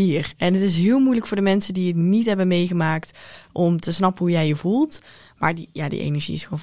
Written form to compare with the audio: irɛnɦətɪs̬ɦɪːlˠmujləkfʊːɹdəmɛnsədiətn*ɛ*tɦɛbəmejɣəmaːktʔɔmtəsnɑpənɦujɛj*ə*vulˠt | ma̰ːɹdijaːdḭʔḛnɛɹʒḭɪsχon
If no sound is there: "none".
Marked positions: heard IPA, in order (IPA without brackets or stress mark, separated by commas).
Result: i, ə